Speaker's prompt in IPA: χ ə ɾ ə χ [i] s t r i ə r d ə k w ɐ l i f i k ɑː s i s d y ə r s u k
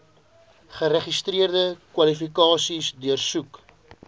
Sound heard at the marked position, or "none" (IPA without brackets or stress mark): i